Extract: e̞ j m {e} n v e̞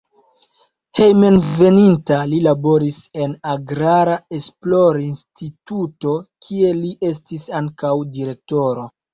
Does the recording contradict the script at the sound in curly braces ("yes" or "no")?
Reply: no